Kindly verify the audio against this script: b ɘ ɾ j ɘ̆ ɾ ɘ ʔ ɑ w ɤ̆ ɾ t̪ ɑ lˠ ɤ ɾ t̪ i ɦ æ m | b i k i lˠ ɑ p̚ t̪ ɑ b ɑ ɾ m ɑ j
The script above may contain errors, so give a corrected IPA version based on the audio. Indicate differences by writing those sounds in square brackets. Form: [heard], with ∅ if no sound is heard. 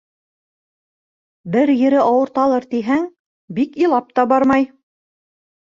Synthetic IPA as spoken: b ɘ ɾ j ɘ̆ ɾ ɘ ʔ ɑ w ɤ̆ ɾ t̪ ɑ lˠ ɤ ɾ t̪ i ɦ æ [ŋ] | b i k i lˠ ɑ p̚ t̪ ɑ b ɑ ɾ m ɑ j